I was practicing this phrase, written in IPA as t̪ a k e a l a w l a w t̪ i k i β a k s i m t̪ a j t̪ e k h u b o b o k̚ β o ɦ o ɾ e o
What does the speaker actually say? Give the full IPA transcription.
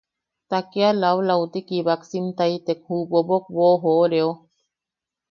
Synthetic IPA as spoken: t̪ a k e a l a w l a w t̪ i k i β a k s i m t̪ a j t̪ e k h u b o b o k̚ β o ɦ o ɾ e o